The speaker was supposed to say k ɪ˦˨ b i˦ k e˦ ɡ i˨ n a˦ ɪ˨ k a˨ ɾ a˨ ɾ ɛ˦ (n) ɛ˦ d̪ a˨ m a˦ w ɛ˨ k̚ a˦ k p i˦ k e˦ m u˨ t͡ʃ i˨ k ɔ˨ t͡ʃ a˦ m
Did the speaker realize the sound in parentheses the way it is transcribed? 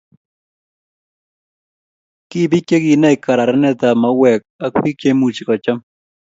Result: yes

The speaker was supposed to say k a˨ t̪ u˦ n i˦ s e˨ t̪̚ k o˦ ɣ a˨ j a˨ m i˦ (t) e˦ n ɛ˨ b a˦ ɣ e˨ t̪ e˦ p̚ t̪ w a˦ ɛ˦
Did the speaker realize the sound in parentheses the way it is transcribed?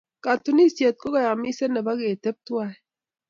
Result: no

